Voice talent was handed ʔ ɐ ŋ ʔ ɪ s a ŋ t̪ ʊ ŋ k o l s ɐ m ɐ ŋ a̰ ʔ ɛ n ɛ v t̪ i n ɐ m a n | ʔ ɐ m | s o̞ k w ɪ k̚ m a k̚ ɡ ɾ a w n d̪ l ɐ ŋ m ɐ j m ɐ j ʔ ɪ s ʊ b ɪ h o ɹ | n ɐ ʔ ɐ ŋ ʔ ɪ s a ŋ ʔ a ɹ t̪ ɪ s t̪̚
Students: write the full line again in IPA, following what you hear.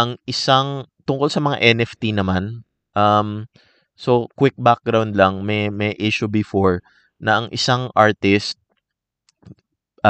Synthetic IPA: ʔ ɐ ŋ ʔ ɪ s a ŋ t̪ ʊ ŋ k o l s ɐ m ɐ ŋ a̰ ʔ ɛ n ɛ f t̪ i n ɐ m a n | ʔ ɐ m | s o̞ k w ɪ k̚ b a k̚ ɡ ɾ a w n d̪ l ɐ ŋ m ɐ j m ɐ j ʔ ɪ ʃ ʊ b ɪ f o ɹ | n ɐ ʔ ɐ ŋ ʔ ɪ s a ŋ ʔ a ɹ t̪ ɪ s t̪̚